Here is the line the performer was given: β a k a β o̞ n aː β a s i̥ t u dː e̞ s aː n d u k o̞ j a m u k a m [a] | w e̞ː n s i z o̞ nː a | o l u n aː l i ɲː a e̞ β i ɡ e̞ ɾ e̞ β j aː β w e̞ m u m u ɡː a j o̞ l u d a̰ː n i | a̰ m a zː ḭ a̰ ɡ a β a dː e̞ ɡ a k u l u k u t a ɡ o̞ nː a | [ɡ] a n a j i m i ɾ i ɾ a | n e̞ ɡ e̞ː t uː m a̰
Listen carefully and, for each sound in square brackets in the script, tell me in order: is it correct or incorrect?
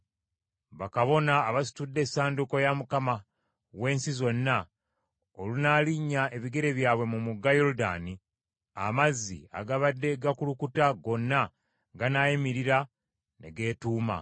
correct, correct

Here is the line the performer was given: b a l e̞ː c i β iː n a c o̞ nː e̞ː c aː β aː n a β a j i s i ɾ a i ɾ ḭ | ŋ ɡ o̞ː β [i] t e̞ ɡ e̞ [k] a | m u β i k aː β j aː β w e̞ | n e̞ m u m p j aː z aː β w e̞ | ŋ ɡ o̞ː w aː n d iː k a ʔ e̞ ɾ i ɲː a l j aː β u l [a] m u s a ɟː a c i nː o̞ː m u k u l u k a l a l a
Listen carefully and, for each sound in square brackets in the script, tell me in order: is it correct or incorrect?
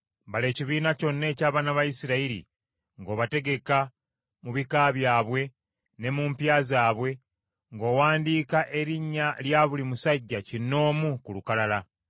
incorrect, correct, incorrect

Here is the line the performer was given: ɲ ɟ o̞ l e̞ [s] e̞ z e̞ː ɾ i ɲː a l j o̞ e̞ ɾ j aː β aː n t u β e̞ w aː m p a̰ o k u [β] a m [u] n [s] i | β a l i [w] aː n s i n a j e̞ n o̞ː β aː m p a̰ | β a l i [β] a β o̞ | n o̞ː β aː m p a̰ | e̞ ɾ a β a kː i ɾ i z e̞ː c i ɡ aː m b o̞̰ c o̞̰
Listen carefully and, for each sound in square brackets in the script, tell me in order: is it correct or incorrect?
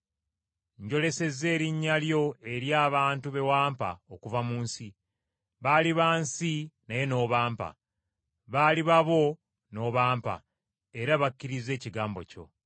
correct, incorrect, incorrect, correct, incorrect, correct

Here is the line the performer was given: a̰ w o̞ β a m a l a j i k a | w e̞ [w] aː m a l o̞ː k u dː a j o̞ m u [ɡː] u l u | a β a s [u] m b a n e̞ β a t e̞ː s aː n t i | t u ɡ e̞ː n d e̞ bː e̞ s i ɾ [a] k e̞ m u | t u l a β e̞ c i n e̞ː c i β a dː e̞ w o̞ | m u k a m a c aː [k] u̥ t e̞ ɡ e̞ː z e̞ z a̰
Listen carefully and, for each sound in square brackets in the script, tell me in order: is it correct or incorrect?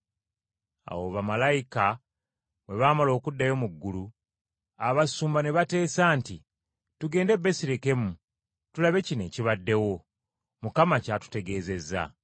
incorrect, correct, incorrect, incorrect, incorrect

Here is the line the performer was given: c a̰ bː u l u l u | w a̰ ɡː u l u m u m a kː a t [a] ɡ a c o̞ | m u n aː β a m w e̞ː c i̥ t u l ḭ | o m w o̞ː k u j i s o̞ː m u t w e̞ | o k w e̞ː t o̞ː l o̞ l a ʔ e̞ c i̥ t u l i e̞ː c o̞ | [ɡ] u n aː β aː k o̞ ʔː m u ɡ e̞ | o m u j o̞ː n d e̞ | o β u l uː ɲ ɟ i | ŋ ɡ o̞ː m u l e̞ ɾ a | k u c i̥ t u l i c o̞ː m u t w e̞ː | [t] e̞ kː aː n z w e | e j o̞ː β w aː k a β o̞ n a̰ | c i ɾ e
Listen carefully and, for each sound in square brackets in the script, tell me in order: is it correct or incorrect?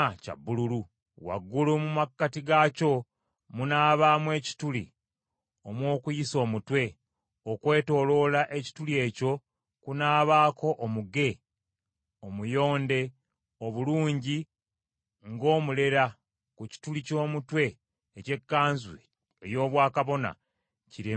incorrect, incorrect, incorrect

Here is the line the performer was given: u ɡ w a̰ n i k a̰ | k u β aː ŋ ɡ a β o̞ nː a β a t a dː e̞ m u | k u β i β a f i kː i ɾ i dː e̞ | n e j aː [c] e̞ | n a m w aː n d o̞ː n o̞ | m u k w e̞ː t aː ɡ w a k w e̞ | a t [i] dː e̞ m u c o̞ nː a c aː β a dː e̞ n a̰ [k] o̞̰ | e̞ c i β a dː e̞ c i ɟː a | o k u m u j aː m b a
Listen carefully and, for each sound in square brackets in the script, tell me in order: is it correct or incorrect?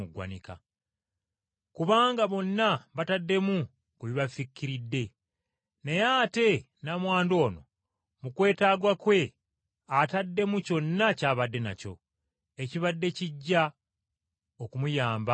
incorrect, incorrect, incorrect

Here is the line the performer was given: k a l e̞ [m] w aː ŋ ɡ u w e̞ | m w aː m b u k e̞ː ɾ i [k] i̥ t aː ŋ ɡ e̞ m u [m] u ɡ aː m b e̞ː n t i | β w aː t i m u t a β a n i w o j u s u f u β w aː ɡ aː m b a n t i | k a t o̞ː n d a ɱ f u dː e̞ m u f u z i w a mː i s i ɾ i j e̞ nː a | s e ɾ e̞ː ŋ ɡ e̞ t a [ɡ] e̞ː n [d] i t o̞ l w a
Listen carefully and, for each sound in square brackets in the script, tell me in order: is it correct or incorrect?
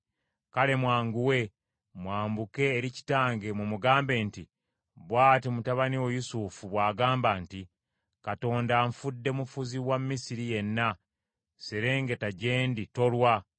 correct, incorrect, correct, incorrect, correct

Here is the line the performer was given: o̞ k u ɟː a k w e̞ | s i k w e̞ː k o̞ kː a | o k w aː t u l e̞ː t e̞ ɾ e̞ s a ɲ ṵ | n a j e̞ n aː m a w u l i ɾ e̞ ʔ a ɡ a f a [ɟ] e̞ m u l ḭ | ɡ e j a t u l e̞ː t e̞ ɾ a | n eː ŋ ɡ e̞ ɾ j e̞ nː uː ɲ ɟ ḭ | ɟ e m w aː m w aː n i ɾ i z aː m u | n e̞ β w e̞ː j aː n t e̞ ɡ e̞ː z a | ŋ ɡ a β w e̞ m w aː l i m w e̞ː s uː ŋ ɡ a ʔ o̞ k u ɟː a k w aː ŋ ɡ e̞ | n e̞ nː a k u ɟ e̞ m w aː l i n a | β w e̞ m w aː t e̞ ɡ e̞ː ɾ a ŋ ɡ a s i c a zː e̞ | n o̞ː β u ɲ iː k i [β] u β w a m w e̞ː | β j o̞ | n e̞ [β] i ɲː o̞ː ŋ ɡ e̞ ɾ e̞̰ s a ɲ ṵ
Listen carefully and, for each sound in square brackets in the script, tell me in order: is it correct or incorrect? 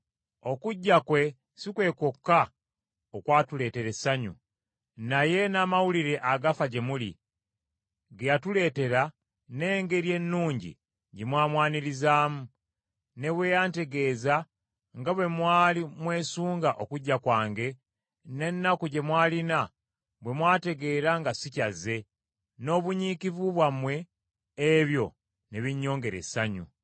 correct, incorrect, correct

